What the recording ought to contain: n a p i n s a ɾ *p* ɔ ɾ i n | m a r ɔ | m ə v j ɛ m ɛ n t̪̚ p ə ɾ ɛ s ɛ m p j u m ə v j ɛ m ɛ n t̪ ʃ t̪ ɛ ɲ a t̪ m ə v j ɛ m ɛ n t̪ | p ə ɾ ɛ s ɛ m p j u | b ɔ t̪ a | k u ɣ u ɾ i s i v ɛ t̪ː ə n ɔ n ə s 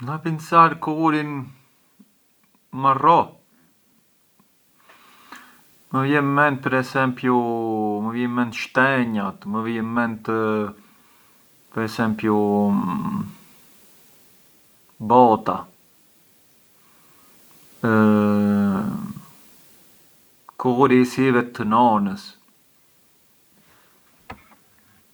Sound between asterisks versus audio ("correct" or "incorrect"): incorrect